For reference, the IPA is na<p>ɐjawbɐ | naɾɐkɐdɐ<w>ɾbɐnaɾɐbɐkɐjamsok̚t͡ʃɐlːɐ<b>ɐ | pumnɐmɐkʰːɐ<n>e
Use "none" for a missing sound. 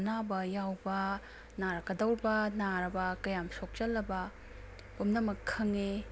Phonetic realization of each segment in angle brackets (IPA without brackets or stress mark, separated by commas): b, w, b, ŋ